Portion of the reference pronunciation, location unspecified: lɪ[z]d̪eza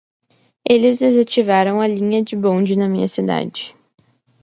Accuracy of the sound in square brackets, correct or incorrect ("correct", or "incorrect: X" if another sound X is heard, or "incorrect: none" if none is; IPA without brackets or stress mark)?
correct